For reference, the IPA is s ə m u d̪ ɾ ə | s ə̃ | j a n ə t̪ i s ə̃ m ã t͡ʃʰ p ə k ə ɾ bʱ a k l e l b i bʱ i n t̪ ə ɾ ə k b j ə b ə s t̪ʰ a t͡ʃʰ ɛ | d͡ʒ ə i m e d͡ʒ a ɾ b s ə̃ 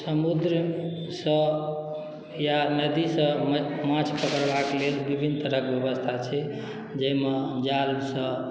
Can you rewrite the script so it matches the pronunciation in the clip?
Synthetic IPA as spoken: s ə m u d̪ ɾ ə | s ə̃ | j a n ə d̪ i s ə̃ m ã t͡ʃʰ p ə k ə ɾ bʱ a k l e l b i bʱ i n t̪ ə ɾ ə k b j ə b ə s t̪ʰ a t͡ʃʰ ɛ | d͡ʒ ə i m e d͡ʒ a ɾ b s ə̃